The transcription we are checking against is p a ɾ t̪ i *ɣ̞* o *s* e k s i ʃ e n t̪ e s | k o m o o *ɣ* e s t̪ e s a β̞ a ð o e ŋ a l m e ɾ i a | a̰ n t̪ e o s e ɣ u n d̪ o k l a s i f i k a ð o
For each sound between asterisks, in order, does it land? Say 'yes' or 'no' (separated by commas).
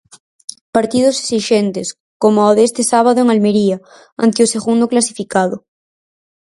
no, yes, no